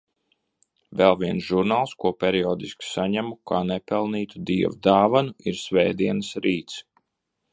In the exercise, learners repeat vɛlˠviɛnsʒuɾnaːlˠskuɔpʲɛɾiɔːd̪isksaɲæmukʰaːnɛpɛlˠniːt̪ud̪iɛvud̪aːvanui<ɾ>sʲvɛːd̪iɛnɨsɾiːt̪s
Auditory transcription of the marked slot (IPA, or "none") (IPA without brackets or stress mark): ɾ